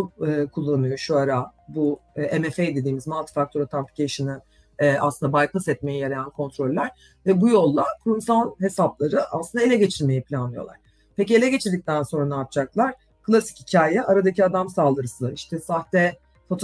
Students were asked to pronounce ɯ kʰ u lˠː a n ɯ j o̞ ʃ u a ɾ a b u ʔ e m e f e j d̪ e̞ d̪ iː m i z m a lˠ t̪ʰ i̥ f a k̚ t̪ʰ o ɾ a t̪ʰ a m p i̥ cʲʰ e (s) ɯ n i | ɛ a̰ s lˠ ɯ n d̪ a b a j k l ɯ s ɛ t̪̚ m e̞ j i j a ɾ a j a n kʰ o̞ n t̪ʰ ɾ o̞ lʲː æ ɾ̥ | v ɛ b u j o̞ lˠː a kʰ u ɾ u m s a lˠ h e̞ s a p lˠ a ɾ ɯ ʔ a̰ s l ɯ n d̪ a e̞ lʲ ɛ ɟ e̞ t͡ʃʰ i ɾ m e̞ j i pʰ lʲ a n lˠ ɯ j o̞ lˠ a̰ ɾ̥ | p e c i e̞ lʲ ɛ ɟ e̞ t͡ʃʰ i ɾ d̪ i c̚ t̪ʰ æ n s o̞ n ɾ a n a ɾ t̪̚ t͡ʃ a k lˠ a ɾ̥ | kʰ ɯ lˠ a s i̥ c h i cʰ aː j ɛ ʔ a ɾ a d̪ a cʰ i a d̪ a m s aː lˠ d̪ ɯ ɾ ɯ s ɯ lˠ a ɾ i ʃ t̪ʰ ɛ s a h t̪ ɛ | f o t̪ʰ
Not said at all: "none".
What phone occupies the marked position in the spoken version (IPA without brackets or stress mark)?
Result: ʃ